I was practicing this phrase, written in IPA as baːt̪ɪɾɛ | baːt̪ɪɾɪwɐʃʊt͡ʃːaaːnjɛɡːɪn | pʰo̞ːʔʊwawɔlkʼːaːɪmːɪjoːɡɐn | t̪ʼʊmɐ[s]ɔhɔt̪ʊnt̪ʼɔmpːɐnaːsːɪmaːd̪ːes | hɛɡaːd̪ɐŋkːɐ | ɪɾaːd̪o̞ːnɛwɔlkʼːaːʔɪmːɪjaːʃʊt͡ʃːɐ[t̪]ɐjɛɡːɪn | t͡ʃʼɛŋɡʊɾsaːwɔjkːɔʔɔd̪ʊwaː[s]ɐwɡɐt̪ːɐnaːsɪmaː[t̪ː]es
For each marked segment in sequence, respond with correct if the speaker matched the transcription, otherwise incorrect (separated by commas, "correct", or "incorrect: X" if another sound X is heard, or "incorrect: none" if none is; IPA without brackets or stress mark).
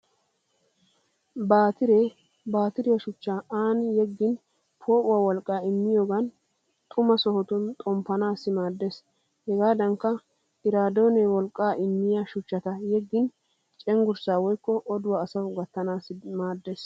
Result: correct, correct, correct, incorrect: d̪ː